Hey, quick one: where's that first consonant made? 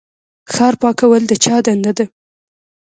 velum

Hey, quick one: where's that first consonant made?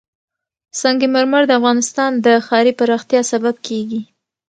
tongue tip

